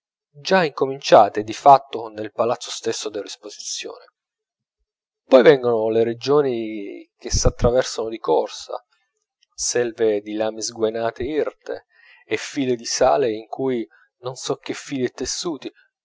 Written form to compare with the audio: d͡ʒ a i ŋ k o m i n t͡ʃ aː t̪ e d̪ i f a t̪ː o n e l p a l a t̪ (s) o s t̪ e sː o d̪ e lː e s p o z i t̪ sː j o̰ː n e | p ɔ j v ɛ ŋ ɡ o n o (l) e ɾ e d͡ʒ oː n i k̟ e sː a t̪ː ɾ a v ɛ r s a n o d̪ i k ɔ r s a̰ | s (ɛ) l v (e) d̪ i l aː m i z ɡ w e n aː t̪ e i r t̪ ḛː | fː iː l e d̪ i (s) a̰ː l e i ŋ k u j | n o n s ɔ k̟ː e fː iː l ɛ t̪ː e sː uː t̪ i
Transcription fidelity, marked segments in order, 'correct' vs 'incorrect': incorrect: sː, correct, correct, correct, correct

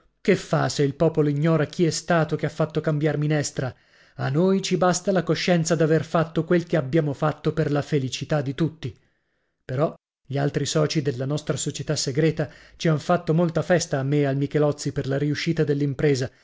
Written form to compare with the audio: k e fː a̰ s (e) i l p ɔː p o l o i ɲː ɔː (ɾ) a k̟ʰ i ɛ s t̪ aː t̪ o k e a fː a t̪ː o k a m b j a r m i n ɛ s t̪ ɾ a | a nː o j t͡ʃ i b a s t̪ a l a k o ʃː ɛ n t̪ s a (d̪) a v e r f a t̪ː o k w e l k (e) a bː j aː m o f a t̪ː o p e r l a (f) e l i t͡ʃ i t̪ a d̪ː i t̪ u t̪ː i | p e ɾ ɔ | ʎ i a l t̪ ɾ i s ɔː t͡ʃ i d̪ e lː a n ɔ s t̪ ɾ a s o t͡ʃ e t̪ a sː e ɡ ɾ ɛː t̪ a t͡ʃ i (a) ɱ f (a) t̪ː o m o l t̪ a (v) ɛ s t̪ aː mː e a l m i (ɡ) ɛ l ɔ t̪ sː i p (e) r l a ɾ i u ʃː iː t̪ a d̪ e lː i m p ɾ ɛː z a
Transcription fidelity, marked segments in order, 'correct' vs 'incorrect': correct, correct, correct, correct, correct, correct, correct, incorrect: f, incorrect: k, correct

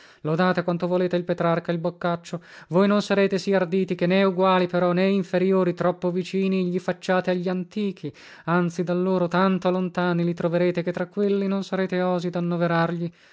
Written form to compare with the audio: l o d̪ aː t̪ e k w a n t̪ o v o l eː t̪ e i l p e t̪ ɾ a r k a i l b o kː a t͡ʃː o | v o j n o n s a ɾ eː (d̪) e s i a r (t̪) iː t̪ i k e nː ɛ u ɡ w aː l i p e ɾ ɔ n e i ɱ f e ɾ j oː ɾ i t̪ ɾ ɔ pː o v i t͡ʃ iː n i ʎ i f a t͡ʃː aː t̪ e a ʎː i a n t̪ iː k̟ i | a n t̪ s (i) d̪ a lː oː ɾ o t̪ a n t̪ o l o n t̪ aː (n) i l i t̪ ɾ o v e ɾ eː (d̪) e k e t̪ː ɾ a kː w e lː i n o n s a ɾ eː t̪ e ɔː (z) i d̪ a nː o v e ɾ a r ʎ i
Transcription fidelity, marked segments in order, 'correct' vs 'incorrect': incorrect: t̪, incorrect: d̪, correct, correct, incorrect: t̪, correct

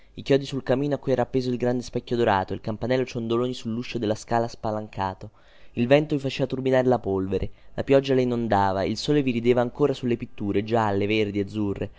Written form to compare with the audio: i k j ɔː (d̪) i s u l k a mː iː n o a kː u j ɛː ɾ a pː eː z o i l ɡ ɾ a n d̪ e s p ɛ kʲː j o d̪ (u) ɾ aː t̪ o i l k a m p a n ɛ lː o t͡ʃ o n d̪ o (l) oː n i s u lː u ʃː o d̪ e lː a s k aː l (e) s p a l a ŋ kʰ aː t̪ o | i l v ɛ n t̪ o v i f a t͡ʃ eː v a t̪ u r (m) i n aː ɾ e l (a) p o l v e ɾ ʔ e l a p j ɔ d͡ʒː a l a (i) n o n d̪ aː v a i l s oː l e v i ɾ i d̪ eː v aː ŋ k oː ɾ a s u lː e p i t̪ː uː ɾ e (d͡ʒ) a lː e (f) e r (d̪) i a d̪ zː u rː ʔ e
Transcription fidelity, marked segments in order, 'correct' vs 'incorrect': correct, incorrect: o, correct, incorrect: a, incorrect: b, correct, correct, correct, incorrect: v, correct

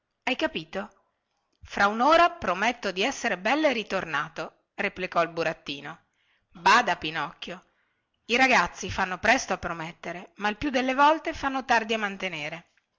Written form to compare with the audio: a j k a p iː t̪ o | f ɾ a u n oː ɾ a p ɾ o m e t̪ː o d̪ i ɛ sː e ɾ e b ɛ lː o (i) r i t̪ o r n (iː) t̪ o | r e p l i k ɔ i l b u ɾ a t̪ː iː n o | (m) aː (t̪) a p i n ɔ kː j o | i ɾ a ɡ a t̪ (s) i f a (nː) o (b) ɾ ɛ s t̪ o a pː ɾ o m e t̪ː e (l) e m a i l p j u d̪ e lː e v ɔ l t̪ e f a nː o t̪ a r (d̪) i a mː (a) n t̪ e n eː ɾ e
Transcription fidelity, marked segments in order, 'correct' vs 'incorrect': incorrect: e, incorrect: aː, incorrect: b, incorrect: d̪, incorrect: sː, correct, incorrect: p, incorrect: ɾ, correct, correct

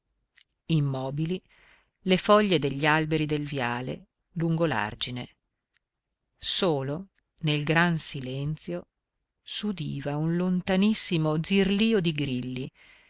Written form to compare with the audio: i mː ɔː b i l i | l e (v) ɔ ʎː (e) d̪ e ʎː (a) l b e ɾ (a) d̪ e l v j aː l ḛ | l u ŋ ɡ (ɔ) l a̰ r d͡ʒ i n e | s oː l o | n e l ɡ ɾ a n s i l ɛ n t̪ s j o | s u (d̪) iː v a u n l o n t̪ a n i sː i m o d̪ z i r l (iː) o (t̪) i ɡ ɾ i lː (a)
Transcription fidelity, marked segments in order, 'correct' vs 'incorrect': incorrect: f, correct, correct, incorrect: i, incorrect: o, correct, correct, incorrect: d̪, incorrect: i

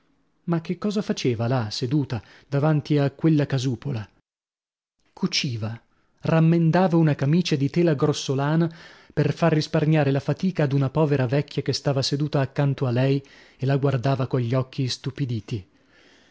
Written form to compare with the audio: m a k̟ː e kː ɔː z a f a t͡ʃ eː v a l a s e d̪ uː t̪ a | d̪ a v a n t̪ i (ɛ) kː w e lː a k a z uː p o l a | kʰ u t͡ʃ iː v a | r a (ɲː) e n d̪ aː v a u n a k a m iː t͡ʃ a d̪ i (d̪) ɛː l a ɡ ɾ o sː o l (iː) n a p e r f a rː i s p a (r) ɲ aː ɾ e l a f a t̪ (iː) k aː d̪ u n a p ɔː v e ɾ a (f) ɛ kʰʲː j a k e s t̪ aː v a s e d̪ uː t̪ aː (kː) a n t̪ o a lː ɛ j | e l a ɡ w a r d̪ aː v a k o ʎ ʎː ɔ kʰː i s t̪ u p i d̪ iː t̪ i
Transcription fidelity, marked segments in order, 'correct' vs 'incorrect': incorrect: a, incorrect: mː, incorrect: t̪, incorrect: aː, correct, correct, incorrect: v, correct

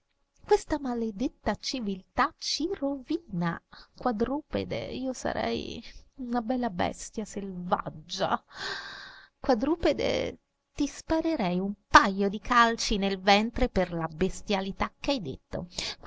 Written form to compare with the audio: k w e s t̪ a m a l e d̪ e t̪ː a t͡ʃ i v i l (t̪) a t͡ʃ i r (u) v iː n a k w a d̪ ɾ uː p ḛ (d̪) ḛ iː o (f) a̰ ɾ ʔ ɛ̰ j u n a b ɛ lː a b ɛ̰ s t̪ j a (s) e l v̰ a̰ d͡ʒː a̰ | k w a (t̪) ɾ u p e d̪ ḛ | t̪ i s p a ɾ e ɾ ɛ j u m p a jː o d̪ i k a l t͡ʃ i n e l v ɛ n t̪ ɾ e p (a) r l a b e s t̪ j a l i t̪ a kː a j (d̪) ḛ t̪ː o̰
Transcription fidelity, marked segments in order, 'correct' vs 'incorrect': correct, incorrect: o, correct, incorrect: s, correct, incorrect: d̪, incorrect: e, correct

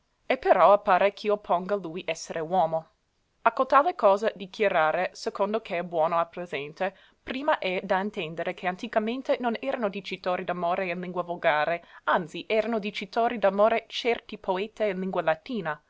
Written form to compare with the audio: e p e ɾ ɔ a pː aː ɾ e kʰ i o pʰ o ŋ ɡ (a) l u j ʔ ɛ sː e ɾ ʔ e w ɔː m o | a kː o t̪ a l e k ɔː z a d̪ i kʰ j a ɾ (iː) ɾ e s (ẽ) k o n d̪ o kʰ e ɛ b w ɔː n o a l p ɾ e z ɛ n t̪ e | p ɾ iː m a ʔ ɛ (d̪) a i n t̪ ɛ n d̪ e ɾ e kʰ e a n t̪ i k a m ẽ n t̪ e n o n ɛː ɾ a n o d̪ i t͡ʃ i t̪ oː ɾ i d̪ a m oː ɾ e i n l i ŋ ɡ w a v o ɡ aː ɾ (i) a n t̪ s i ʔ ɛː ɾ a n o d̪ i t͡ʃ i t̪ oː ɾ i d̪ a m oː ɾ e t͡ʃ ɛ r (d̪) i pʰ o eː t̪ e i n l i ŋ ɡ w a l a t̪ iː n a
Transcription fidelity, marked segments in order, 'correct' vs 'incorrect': correct, incorrect: aː, incorrect: e, correct, incorrect: e, incorrect: t̪

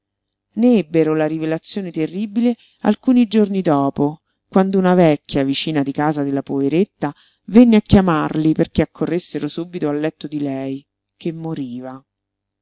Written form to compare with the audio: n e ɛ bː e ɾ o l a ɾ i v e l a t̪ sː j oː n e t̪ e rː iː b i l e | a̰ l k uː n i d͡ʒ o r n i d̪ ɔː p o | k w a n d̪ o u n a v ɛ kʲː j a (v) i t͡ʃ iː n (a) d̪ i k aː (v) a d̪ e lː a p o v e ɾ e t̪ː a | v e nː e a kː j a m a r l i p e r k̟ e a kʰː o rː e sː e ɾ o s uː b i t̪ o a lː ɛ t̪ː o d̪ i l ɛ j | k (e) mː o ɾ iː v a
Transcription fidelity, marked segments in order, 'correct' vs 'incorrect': correct, correct, incorrect: z, correct

